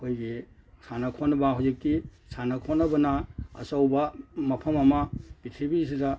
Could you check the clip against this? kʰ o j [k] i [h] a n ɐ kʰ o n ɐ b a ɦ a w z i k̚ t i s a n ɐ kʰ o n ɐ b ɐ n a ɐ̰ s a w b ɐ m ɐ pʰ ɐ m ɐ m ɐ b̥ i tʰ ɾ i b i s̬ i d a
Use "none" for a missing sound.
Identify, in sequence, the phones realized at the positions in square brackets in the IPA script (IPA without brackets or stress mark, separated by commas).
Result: ɡ, s